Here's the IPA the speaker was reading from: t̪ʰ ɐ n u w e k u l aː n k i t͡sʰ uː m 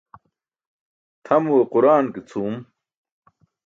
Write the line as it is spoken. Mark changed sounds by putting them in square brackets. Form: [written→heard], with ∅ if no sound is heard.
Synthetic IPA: t̪ʰ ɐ [n→m] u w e [k→q] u [l→ɾ] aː n k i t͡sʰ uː m